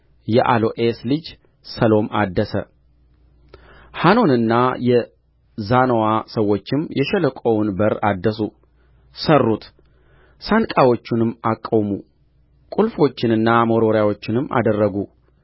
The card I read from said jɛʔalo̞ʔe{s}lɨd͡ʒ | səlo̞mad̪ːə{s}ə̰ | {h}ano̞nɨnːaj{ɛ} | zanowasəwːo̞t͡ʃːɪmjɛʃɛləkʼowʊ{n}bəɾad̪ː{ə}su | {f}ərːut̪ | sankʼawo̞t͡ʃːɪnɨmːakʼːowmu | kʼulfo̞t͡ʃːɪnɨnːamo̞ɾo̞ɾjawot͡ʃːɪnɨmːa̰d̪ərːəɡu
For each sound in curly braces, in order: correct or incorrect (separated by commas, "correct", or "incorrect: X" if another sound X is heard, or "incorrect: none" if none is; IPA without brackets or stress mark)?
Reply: correct, correct, correct, correct, correct, correct, incorrect: s